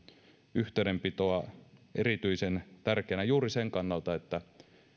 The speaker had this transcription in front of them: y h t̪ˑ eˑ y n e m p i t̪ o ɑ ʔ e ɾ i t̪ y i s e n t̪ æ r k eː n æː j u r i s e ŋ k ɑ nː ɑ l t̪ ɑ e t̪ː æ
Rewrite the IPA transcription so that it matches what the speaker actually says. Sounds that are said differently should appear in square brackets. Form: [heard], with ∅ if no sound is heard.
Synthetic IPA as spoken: y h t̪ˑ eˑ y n e m p i t̪ o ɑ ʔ e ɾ i t̪ y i s e n t̪ æ r k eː n [æ] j [uː] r i s e ŋ k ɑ nː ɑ l t̪ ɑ e t̪ː æ